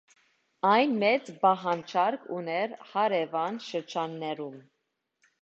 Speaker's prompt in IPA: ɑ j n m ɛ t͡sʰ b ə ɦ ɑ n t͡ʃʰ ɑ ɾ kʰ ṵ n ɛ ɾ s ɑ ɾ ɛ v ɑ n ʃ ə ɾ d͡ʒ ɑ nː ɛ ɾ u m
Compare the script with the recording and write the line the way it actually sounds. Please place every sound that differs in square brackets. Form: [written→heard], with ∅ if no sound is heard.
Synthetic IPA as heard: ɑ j n m ɛ [t͡sʰ→t͡s] b [ə→ɑ] ɦ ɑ n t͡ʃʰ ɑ ɾ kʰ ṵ n ɛ ɾ [s→h] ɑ ɾ ɛ v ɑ n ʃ ə ɾ d͡ʒ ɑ nː ɛ ɾ u m

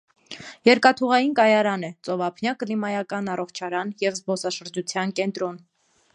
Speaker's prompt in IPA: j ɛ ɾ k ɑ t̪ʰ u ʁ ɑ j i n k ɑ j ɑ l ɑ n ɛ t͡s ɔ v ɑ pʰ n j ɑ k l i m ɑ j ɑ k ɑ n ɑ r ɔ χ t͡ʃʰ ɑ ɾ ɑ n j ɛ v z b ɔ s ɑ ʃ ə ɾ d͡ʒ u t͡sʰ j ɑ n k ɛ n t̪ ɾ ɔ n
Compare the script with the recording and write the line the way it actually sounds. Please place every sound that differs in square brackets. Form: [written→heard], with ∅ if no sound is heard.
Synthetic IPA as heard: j ɛ ɾ k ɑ t̪ʰ u ʁ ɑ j i n k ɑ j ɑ [l→ɾ] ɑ n ɛ t͡s ɔ v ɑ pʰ n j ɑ k l i m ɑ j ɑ k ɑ n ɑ r ɔ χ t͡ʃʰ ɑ ɾ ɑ n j ɛ v z b ɔ s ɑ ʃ ə ɾ d͡ʒ u t͡sʰ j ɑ n k ɛ n t̪ ɾ ɔ n

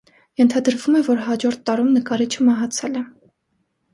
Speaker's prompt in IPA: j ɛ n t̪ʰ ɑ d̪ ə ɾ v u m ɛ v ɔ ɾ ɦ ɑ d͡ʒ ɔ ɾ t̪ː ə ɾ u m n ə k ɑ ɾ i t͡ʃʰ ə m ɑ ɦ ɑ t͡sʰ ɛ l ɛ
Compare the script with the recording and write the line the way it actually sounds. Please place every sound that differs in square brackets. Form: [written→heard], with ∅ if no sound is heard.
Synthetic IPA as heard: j ɛ n t̪ʰ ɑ d̪ ə ɾ v u m ɛ v ɔ ɾ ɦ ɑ d͡ʒ ɔ ɾ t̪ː [ə→ɑ] ɾ u m n ə k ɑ ɾ i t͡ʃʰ ə m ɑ ɦ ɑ t͡sʰ ɛ l ɛ

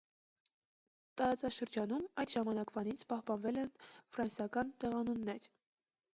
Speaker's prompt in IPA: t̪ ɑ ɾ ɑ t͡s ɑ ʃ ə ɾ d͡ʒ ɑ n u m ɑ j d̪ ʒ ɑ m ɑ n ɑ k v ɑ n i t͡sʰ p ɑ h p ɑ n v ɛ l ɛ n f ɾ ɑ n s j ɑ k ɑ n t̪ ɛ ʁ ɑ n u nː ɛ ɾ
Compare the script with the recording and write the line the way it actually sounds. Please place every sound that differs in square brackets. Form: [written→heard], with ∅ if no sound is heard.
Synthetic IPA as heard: t̪ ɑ ɾ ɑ t͡s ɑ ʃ ə ɾ d͡ʒ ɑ n u m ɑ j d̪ ʒ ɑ m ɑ n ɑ k v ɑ n i t͡sʰ p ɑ h p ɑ n v ɛ l ɛ n f ɾ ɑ n s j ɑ k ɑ n t̪ ɛ ʁ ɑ n u nː ɛ ɾ

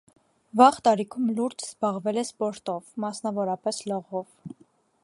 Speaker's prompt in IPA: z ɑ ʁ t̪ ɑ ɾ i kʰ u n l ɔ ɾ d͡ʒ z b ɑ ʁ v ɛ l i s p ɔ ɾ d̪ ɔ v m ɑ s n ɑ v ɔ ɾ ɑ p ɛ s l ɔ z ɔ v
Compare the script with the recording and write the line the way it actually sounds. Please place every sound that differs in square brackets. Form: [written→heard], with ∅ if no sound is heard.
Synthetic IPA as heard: [z→v] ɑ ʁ t̪ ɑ ɾ i kʰ u [n→m] l [ɔ→u] ɾ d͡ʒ z b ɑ ʁ v ɛ l [i→ɛ] s p ɔ ɾ [d̪→t̪] ɔ v m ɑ s n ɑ v ɔ ɾ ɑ p ɛ s l ɔ [z→ʁ] ɔ v

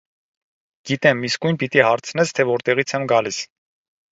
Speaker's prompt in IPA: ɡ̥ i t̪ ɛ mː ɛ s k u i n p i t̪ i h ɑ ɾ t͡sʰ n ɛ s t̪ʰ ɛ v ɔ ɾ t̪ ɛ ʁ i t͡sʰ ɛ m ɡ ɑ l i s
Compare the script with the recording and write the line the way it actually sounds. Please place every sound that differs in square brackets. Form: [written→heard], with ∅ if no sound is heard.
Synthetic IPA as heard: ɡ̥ i t̪ ɛ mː [ɛ→i] s k u [i→j] n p i t̪ i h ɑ ɾ t͡sʰ n ɛ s t̪ʰ ɛ v ɔ ɾ t̪ ɛ ʁ i t͡sʰ ɛ m ɡ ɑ l i s

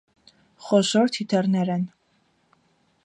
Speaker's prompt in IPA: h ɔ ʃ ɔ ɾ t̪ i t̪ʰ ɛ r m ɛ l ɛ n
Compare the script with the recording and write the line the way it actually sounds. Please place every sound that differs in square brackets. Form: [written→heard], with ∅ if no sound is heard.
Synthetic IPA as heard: [h→χ] ɔ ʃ ɔ ɾ [t̪→t̪ʰ] i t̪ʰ ɛ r [m→n] ɛ [l→ɾ] ɛ n

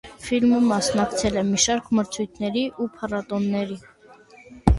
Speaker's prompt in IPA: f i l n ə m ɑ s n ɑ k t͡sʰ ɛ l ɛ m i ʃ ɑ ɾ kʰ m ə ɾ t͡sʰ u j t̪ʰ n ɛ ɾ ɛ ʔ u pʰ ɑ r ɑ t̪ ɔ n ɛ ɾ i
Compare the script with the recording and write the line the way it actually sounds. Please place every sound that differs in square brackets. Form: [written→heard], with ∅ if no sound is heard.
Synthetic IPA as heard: f i l [n→m] ə m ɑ s n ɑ k t͡sʰ ɛ l ɛ m i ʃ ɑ ɾ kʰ m ə ɾ t͡sʰ u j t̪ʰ n ɛ ɾ [ɛ→i] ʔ u pʰ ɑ r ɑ t̪ ɔ [n→nː] ɛ ɾ i

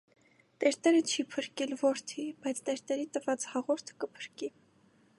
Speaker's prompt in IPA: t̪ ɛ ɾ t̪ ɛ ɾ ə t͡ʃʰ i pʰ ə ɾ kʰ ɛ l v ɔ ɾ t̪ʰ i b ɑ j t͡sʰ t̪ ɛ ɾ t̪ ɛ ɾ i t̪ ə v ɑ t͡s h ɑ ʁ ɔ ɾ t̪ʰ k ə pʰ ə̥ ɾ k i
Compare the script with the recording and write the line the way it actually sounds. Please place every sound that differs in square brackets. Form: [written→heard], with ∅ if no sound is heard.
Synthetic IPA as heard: t̪ ɛ ɾ t̪ ɛ ɾ ə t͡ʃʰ i pʰ ə ɾ [kʰ→k] ɛ l v ɔ ɾ t̪ʰ i b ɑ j t͡sʰ t̪ ɛ ɾ t̪ ɛ ɾ i t̪ ə v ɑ t͡s h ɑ ʁ ɔ ɾ t̪ʰ k ə pʰ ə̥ ɾ k i

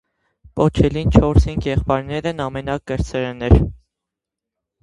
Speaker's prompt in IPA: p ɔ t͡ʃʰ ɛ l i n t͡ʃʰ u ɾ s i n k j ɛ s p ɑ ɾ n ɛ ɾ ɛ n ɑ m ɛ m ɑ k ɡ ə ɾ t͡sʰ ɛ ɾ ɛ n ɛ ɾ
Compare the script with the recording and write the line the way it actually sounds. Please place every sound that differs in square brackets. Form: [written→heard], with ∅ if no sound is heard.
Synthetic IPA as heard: p ɔ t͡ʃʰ ɛ l i n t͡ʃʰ [u→ɔ] ɾ s i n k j ɛ [s→χ] p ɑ ɾ n ɛ ɾ ɛ n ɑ m ɛ [m→n] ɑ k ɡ ə ɾ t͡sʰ ɛ ɾ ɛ n ɛ ɾ

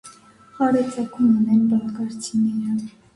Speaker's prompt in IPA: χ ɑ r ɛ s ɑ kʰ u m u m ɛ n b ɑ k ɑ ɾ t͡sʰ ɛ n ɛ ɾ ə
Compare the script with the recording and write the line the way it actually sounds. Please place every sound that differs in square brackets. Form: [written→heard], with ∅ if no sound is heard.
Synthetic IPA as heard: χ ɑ [r→ɾ] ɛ [s→t͡s] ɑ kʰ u m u [m→n] ɛ n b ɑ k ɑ ɾ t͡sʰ [ɛ→i] n ɛ ɾ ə

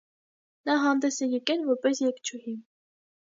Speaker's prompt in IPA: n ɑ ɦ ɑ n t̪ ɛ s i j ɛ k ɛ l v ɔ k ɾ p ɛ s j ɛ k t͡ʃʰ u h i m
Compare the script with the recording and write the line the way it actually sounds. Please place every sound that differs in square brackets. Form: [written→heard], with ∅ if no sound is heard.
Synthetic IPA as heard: n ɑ ɦ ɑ n [t̪→d̪] ɛ s [i→ɛ] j ɛ k ɛ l v ɔ [k→∅] ɾ p ɛ s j ɛ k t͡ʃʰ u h i m

